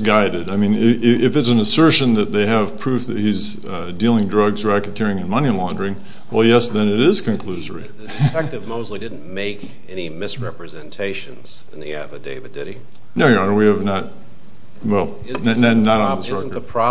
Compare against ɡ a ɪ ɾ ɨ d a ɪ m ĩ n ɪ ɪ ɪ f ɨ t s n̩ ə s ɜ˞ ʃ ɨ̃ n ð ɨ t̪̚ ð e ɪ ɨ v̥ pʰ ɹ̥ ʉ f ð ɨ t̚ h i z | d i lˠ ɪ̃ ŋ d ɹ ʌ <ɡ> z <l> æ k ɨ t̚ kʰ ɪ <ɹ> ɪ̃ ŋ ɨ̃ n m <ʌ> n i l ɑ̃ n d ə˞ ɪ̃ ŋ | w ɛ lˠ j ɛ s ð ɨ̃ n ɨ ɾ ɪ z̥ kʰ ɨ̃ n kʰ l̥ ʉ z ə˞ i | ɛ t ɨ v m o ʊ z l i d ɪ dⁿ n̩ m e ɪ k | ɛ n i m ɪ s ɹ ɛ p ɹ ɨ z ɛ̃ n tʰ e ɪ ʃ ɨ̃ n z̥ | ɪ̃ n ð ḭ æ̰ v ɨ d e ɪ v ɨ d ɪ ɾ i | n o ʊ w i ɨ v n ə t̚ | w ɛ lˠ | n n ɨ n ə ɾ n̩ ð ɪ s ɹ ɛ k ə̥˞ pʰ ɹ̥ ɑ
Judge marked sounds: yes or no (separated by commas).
yes, no, yes, yes